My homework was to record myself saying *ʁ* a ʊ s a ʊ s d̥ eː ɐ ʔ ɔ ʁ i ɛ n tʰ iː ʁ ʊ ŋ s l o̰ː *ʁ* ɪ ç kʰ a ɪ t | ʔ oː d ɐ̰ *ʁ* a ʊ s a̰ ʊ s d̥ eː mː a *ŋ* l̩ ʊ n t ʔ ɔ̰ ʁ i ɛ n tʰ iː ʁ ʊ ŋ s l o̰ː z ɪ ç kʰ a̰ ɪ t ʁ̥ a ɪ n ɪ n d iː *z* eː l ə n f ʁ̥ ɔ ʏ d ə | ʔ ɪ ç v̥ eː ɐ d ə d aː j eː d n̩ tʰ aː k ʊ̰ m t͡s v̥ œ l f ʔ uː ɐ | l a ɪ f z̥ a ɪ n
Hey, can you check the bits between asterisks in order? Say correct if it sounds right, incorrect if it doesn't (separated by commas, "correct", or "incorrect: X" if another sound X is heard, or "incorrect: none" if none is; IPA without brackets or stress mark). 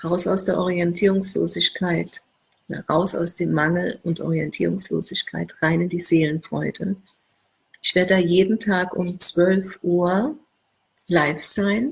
correct, incorrect: z, correct, correct, correct